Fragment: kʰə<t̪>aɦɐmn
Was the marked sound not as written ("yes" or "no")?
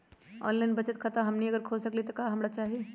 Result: no